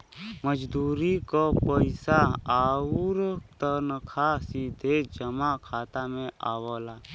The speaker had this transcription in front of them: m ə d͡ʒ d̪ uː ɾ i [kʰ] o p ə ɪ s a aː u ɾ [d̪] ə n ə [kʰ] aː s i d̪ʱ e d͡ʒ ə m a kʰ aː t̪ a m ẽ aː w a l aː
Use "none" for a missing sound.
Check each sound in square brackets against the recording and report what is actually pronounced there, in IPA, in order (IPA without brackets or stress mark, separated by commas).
k, t̪, kʰ